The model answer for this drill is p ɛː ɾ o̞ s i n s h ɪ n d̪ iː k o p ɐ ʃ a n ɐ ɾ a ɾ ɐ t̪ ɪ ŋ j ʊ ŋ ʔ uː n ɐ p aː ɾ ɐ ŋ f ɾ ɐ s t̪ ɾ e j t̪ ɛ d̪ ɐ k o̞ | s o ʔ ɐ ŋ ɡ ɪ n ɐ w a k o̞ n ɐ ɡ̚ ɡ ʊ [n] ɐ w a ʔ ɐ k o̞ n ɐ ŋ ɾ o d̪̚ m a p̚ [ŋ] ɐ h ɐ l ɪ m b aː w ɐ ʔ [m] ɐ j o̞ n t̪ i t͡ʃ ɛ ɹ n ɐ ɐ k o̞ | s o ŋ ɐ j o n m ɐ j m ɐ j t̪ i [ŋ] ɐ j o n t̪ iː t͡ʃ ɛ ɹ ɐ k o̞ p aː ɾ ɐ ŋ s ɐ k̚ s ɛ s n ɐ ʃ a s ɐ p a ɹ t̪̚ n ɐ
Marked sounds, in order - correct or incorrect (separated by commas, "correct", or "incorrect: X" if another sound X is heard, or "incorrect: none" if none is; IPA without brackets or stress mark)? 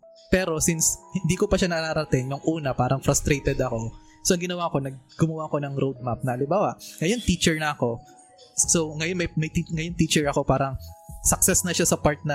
incorrect: m, incorrect: n, incorrect: ŋ, correct